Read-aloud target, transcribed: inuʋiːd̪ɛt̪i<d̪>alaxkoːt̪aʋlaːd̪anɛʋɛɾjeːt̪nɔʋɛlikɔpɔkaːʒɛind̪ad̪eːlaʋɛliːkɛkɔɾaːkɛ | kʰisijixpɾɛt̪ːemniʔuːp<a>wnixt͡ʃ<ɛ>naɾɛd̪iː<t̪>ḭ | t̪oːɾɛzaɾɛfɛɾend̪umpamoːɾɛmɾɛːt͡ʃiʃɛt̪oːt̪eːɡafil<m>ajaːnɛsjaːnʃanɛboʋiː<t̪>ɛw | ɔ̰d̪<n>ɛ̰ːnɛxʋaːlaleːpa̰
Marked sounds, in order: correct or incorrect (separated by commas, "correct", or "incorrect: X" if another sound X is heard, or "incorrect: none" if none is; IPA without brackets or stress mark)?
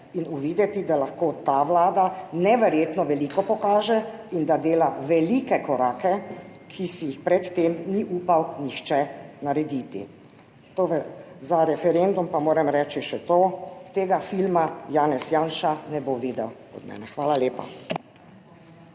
correct, correct, correct, correct, correct, incorrect: d̪, incorrect: m